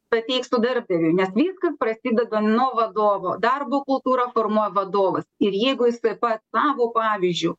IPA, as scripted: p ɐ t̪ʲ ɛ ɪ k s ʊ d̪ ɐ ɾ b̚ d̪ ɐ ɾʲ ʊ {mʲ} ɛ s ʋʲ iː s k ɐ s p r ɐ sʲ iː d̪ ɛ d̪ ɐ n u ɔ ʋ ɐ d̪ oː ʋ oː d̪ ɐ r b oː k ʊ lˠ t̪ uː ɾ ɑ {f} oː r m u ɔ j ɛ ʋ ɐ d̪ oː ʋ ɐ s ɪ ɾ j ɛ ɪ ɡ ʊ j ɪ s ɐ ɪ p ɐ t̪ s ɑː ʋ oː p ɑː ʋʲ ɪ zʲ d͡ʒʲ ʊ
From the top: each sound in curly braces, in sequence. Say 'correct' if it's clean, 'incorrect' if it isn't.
incorrect: nʲ, correct

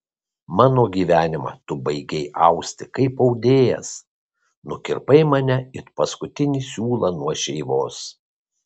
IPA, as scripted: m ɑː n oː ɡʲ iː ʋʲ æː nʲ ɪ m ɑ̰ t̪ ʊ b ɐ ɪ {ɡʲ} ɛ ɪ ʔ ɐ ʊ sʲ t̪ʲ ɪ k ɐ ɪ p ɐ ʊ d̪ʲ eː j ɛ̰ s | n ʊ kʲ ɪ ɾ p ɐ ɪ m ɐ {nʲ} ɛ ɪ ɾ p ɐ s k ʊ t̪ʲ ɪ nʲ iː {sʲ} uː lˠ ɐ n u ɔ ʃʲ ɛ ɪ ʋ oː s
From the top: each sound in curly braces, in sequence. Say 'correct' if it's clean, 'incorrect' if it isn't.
correct, correct, correct

